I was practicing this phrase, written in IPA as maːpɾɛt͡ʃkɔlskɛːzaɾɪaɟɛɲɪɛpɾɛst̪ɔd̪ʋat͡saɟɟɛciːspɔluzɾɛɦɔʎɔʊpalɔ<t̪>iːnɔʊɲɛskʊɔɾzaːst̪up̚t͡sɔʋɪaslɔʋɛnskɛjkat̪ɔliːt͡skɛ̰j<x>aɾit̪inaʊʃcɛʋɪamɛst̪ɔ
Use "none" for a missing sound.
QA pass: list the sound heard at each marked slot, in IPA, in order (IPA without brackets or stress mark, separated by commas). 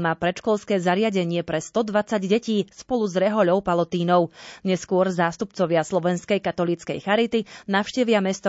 t̪, x